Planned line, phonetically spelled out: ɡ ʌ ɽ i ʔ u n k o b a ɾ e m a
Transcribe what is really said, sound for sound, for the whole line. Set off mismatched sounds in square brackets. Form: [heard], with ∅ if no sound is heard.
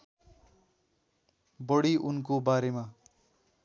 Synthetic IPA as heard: [b] ʌ ɽ i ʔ u n k o b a ɾ e m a